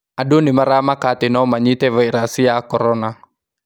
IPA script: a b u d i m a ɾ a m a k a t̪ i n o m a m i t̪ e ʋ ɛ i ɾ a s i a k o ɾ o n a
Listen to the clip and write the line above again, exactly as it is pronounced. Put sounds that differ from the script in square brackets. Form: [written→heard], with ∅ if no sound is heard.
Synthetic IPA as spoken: a [b→d] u [d→n] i m a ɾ a m a k a t̪ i n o m a [m→ɲ] i t̪ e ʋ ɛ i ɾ a s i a k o ɾ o n a